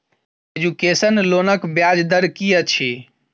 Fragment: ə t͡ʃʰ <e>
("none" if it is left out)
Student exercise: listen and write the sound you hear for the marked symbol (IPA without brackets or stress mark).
i